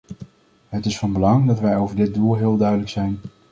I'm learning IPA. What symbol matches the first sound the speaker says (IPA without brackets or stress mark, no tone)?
ɦ